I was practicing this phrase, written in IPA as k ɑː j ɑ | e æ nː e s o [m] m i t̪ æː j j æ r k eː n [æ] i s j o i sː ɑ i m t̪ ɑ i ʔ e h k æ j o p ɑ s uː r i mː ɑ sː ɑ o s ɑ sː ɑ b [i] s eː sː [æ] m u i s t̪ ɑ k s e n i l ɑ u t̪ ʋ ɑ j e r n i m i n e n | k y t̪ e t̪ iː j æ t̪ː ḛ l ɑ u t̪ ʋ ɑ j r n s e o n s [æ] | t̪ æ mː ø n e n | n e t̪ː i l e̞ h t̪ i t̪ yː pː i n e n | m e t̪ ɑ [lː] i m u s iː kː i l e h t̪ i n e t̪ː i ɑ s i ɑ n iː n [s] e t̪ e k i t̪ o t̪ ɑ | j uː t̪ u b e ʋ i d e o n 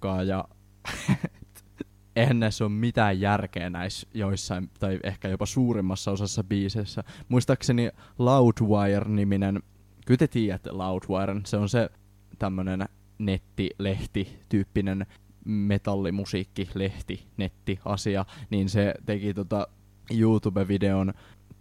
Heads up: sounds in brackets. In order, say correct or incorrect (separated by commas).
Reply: correct, correct, incorrect, correct, incorrect, correct, correct